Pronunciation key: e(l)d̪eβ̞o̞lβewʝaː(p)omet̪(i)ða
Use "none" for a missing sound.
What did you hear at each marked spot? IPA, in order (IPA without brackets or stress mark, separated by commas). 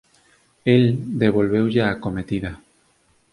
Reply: l, k, i